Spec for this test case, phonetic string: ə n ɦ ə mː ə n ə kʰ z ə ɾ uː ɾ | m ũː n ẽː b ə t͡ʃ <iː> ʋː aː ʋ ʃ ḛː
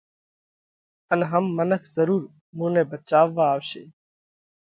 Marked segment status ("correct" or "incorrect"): incorrect